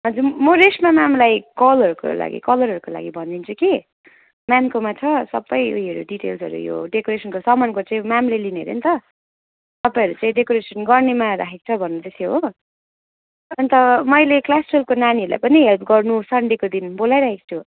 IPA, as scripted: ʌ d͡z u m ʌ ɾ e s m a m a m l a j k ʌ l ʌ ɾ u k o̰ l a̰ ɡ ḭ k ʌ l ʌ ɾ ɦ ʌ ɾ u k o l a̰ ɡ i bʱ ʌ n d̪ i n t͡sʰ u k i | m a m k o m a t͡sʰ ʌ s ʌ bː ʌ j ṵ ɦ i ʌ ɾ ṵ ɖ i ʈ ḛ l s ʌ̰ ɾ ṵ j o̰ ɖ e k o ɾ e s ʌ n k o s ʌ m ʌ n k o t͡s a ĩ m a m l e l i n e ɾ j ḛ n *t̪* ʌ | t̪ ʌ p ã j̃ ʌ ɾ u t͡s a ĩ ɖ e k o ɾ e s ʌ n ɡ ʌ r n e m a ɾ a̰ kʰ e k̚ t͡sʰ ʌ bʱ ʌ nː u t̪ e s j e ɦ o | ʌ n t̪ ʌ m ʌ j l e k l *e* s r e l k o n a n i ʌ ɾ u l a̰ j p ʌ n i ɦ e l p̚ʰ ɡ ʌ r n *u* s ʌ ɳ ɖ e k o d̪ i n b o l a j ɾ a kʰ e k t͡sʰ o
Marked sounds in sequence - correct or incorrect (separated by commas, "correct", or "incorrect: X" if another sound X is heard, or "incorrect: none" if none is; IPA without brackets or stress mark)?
correct, incorrect: a, correct